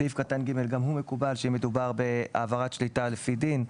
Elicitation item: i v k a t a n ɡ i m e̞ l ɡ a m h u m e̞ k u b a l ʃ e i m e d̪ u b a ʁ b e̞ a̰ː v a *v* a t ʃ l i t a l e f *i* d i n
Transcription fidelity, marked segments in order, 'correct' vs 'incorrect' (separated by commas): incorrect, correct